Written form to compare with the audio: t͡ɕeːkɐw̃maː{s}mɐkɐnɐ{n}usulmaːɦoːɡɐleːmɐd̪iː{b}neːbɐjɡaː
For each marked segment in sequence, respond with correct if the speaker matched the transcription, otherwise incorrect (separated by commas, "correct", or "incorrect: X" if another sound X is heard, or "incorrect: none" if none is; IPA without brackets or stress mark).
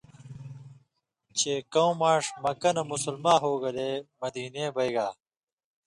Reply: incorrect: ʂ, incorrect: m, incorrect: none